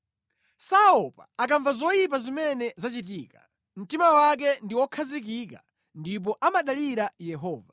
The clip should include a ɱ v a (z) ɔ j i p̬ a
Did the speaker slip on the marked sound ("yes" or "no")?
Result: no